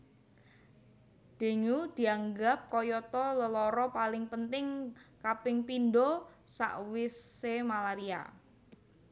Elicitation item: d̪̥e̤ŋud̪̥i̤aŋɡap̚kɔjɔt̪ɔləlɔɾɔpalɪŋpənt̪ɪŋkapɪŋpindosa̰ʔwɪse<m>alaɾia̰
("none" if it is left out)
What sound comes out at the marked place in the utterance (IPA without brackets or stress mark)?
m